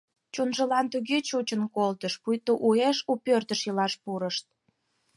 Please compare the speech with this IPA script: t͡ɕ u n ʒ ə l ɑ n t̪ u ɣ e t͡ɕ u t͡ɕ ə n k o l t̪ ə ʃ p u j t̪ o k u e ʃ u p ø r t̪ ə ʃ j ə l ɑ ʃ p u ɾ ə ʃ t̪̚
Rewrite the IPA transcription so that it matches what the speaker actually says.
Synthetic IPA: t͡ɕ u n ʒ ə l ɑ n t̪ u ɣ e t͡ɕ u t͡ɕ ə n k o l t̪ ə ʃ p u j t̪ o ʔ u e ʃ u p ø r t̪ ə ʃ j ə l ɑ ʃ p u ɾ ə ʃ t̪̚